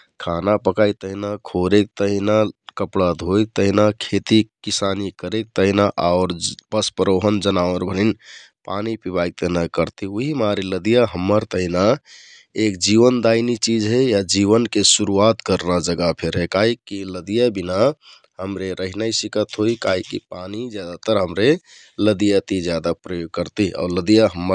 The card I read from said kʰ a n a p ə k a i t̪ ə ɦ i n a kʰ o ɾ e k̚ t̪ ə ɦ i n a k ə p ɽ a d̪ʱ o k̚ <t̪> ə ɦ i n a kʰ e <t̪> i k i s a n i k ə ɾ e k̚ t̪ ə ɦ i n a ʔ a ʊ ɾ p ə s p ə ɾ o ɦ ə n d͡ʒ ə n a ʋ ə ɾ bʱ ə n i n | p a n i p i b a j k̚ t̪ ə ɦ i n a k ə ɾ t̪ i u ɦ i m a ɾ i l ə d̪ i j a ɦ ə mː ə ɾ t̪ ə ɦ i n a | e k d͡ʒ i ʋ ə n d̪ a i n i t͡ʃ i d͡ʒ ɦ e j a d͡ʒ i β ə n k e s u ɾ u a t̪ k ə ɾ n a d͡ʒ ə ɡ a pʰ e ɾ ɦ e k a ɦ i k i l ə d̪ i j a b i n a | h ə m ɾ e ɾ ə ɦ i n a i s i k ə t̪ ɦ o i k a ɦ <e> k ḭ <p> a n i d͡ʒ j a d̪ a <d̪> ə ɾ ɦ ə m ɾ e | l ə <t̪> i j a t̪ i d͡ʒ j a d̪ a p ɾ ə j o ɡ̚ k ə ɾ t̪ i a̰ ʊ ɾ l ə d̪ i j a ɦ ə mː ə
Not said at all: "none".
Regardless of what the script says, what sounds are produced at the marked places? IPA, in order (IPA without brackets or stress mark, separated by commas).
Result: t̪, t̪, i, p, t̪, d̪